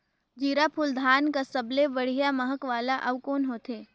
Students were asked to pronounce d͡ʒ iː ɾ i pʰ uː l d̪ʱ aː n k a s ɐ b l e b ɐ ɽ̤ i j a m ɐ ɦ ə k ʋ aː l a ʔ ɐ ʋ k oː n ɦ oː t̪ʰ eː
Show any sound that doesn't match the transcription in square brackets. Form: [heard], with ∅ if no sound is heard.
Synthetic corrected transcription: d͡ʒ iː ɾ [a] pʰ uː l d̪ʱ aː n k a s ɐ b l e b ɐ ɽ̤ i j a m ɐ ɦ ə k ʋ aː l a ʔ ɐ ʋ k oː n ɦ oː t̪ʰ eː